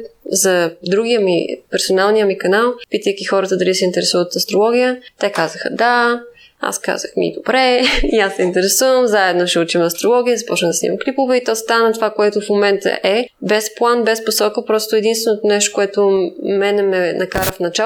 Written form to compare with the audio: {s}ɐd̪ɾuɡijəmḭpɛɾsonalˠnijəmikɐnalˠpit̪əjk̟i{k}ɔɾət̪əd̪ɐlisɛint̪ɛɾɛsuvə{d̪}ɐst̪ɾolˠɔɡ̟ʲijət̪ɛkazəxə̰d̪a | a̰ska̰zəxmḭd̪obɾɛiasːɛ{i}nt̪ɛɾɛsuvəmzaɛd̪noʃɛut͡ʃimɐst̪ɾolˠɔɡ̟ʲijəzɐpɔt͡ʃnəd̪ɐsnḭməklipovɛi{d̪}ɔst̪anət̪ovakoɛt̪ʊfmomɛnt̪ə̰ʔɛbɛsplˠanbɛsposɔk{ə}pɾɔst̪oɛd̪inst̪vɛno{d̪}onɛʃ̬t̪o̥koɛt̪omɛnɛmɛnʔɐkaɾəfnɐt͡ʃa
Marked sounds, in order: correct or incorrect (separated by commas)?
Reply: incorrect, incorrect, incorrect, correct, incorrect, correct, incorrect